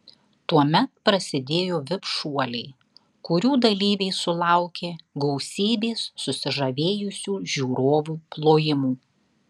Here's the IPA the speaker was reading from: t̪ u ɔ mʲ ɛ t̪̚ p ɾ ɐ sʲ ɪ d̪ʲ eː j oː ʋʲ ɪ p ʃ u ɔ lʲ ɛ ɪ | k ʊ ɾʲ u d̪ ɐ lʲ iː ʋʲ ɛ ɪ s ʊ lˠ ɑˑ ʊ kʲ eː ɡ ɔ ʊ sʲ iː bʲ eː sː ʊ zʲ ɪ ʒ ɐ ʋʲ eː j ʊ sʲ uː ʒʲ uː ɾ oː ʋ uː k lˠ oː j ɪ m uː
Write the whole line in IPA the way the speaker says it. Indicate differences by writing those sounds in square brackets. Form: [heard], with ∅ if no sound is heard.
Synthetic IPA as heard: t̪ u ɔ mʲ ɛ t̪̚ p ɾ ɐ sʲ ɪ d̪ʲ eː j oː ʋʲ ɪ p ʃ u ɔ lʲ ɛ ɪ | k ʊ ɾʲ [uː] d̪ ɐ lʲ iː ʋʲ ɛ ɪ s ʊ lˠ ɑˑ ʊ kʲ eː ɡ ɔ ʊ sʲ iː bʲ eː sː ʊ [sʲ] ɪ ʒ ɐ ʋʲ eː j ʊ sʲ uː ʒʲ uː ɾ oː ʋ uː [p] lˠ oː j ɪ m uː